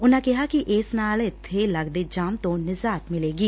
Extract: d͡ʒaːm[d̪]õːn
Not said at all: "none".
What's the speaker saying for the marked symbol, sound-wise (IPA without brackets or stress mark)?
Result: t̪